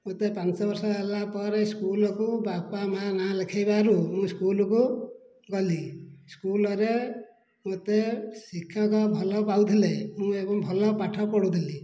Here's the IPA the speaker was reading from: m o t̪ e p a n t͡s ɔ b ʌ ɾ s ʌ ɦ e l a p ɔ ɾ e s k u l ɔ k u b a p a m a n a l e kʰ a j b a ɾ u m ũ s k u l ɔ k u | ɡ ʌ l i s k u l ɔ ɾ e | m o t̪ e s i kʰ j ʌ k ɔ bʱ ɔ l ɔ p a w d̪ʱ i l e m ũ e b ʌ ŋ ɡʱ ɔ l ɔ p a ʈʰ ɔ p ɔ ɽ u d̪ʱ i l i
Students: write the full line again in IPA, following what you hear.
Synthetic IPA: m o t̪ e p a n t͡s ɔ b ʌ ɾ s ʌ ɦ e l a p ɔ ɾ e s k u l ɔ k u b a p a m a n a l e kʰ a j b a ɾ u m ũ s k u l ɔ k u | ɡ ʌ l i s k u l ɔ ɾ e | m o t̪ e s i kʰ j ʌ k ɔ bʱ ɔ l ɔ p a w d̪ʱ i l e m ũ e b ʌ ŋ bʱ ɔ l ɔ p a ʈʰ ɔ p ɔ ɽ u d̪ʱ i l i